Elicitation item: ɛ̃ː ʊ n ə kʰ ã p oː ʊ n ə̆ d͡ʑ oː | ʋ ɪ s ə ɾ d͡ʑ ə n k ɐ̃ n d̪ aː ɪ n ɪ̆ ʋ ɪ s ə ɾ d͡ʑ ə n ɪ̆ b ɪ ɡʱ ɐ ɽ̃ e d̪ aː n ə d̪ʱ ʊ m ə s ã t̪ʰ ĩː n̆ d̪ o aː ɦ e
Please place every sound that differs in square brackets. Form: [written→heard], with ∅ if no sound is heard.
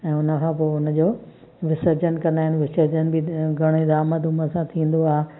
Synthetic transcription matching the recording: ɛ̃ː ʊ n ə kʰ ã p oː ʊ n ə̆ d͡ʑ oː | ʋ ɪ s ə ɾ d͡ʑ ə n k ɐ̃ n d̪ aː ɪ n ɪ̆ ʋ ɪ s ə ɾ d͡ʑ ə n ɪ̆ b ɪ ɡʱ ɐ ɽ̃ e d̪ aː [n→m] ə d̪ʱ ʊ m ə s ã t̪ʰ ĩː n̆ d̪ o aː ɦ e